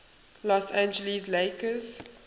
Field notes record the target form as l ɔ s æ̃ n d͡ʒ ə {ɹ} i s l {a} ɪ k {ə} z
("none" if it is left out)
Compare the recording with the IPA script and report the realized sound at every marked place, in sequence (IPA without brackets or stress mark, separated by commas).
l, e, ə